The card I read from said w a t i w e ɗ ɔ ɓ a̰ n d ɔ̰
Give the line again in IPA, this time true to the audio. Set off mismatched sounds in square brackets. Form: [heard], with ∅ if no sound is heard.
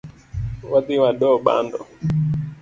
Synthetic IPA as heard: w a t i w [a] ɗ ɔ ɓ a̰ n d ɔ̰